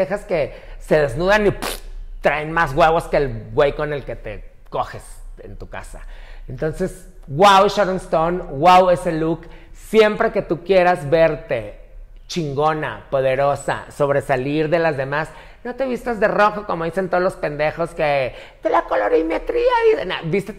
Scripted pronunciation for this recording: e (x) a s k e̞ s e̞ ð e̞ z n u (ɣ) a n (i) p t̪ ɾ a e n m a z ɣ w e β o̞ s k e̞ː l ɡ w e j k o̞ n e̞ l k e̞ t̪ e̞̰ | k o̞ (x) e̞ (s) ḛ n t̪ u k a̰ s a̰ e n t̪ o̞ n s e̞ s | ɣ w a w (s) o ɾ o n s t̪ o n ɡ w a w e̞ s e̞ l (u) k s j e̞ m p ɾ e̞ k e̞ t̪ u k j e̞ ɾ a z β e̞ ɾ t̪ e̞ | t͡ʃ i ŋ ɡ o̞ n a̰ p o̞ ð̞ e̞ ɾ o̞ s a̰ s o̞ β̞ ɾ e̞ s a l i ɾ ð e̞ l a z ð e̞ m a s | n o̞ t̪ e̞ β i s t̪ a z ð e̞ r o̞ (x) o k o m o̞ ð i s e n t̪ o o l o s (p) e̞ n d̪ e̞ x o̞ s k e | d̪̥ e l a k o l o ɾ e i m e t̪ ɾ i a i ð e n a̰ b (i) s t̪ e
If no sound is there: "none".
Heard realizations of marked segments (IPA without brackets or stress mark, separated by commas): x, ð, i, x, s, ʃ, u, x, p, i